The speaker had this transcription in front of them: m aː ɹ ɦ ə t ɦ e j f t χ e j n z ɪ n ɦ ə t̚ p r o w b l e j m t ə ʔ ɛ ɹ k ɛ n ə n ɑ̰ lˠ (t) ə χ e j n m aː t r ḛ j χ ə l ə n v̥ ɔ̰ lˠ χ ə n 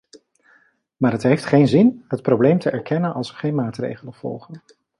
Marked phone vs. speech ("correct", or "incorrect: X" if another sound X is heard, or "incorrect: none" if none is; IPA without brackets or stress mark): incorrect: s